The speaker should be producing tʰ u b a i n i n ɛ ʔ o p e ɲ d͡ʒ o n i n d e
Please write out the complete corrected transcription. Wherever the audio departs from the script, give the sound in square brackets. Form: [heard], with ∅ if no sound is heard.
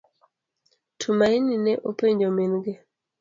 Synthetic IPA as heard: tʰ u [m] a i n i n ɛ ʔ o p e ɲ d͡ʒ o [m] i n [ɡ] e